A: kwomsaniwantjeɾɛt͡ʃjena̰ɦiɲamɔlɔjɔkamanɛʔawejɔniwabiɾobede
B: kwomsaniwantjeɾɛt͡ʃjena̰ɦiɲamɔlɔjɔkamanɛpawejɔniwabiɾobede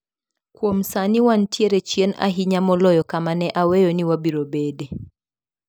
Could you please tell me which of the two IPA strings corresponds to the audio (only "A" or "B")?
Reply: A